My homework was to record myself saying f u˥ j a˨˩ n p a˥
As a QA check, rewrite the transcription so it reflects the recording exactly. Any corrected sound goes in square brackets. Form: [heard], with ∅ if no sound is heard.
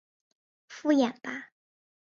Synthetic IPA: f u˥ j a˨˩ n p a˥